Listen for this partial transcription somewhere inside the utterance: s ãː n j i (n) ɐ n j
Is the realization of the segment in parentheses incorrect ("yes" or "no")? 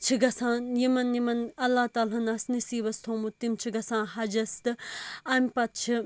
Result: yes